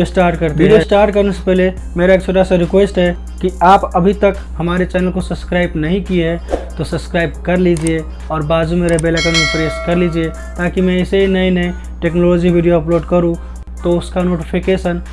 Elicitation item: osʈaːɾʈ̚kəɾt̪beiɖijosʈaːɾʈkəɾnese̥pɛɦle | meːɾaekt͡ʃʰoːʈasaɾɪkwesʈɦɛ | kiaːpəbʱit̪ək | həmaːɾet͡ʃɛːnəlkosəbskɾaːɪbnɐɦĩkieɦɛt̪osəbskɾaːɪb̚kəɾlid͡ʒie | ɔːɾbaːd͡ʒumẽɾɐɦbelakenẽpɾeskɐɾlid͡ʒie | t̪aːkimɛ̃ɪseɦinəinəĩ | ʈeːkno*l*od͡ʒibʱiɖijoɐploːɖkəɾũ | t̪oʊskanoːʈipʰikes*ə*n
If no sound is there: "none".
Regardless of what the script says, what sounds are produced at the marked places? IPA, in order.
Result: l, ə

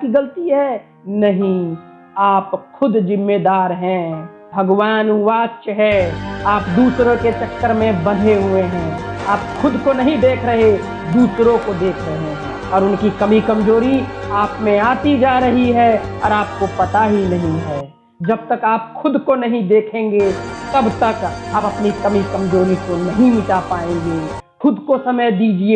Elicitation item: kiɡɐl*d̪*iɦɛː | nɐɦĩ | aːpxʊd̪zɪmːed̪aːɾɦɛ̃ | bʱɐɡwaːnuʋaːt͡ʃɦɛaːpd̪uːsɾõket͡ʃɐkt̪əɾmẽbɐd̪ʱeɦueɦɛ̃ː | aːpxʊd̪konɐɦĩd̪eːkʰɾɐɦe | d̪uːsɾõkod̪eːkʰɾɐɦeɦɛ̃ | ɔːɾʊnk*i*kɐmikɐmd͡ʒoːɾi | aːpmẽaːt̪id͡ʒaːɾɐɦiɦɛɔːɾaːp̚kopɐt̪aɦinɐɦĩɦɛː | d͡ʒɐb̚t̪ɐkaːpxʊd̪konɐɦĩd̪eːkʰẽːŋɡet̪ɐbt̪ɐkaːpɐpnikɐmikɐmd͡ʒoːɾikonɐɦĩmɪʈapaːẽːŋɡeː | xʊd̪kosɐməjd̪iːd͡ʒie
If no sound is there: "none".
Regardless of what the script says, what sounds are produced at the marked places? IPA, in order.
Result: t̪, i

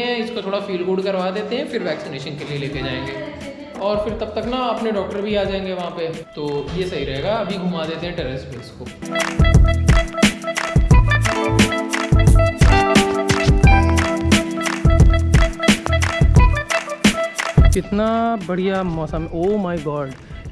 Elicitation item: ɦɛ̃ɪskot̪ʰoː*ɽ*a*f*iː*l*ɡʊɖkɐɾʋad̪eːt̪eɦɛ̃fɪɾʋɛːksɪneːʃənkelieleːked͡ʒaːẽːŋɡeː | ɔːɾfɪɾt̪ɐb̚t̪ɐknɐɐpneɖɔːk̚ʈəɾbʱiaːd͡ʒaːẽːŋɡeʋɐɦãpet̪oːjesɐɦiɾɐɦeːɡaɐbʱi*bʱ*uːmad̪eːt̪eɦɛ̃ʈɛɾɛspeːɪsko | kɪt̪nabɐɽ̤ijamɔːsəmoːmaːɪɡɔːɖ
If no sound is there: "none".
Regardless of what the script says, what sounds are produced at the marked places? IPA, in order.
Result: ɽ, f, l, ɡʱ

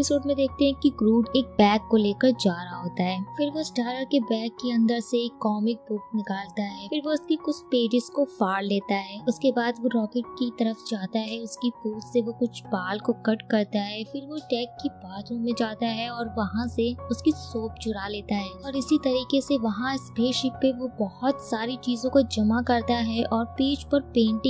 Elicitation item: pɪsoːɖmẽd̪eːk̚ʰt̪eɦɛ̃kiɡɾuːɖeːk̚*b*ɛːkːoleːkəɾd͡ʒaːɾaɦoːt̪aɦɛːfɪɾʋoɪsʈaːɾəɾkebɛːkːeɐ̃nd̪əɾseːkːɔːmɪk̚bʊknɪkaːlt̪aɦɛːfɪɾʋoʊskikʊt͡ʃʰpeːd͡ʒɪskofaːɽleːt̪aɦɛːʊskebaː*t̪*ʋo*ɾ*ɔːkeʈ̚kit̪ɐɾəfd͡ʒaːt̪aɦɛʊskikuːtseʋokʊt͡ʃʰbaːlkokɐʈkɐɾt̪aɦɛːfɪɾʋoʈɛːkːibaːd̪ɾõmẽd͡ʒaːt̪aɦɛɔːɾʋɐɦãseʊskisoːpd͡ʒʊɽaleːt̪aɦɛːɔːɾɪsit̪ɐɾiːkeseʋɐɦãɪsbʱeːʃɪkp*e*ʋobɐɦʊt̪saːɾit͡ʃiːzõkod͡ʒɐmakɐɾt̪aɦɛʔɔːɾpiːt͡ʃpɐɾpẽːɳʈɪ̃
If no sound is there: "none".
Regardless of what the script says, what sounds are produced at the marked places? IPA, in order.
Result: b, d̪, ɾ, e

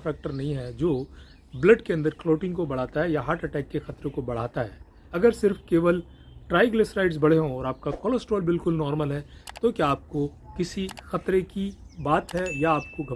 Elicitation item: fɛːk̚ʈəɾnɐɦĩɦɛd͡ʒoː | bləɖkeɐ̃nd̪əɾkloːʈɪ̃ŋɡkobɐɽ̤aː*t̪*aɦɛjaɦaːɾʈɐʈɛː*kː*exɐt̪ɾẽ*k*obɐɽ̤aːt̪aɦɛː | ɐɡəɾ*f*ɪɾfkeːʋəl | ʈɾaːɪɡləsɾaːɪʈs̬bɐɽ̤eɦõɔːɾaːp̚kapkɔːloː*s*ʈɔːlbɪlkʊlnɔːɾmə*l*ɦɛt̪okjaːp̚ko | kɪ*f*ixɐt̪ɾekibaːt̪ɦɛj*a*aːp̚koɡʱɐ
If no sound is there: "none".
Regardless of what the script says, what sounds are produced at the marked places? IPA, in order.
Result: t̪, kː, k, s, s, l, s, a

